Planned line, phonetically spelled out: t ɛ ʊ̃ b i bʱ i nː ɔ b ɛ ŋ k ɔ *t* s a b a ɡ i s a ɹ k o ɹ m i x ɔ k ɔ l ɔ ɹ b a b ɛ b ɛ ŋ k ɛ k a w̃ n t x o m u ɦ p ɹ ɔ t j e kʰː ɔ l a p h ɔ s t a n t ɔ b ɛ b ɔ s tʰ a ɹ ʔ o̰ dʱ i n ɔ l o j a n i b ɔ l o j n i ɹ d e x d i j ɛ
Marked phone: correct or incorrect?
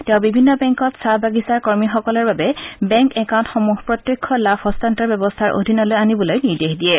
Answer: correct